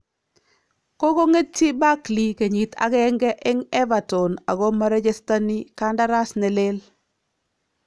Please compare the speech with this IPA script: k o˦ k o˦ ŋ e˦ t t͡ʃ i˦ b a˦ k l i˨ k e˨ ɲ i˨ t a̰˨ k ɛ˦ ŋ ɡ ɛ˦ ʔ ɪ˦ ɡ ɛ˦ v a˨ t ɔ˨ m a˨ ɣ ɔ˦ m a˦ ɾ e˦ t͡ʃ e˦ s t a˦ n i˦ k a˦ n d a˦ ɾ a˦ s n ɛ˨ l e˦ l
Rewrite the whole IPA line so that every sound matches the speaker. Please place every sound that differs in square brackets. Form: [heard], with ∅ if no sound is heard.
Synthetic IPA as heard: k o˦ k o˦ ŋ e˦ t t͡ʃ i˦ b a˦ k l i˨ k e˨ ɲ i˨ t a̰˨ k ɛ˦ ŋ ɡ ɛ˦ ʔ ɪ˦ [ŋ] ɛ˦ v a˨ t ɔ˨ [n] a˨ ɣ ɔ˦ m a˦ ɾ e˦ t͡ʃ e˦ s t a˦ n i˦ k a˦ n d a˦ ɾ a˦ s n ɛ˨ l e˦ l

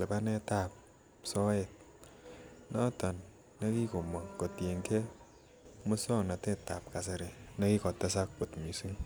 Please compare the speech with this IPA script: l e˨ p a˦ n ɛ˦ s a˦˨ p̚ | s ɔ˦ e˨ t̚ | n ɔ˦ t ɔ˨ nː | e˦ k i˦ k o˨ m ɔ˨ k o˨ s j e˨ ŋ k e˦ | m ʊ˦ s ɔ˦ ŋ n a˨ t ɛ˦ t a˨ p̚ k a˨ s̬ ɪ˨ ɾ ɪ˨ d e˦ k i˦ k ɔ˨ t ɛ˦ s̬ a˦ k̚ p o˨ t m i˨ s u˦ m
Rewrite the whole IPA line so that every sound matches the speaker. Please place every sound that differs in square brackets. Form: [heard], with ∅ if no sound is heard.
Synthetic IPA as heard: l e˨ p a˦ n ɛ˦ [t] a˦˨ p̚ | s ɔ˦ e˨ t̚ | n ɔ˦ t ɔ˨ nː | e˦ k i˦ k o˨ m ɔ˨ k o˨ [t] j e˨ ŋ k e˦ | m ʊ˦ s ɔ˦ ŋ n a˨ t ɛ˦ t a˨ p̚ k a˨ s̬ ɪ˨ ɾ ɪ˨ [n] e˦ k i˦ k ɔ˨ t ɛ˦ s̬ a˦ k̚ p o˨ t m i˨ s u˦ [ŋ]

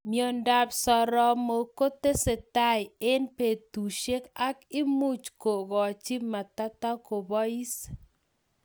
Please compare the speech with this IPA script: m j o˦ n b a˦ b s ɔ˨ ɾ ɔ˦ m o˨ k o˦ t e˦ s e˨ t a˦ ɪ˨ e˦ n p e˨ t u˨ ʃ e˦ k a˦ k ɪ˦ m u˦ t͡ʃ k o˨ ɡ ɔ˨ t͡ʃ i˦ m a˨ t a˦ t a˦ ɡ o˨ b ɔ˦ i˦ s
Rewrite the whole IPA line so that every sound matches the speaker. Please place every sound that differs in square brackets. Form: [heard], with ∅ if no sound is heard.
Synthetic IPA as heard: m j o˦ n [d] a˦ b s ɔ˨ ɾ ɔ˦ m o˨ k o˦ t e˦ s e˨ t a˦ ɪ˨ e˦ n p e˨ t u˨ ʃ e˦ k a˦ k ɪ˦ m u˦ t͡ʃ k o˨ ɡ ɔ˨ t͡ʃ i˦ m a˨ t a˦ t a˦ [k] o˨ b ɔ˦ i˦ s

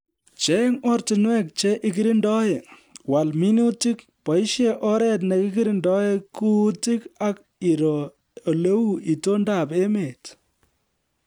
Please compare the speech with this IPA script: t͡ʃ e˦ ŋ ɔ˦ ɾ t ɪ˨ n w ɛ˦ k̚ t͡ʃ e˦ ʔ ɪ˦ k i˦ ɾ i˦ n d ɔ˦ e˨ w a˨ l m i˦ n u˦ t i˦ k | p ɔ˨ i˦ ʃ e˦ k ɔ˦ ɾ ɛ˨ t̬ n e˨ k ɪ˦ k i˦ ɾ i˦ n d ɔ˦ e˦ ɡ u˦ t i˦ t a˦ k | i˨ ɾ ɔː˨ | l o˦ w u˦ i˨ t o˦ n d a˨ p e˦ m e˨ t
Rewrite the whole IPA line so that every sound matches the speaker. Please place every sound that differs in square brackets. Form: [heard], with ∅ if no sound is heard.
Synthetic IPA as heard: t͡ʃ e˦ ŋ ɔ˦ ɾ t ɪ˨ n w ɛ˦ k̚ t͡ʃ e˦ ʔ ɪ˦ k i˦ ɾ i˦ n d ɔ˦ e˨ w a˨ l m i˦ n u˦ t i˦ k | p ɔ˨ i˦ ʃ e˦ [ʔ] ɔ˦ ɾ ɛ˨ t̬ n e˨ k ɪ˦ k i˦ ɾ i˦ n d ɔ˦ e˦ [k] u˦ t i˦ [k] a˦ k | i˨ ɾ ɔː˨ | l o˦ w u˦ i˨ t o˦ n d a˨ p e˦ m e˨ t

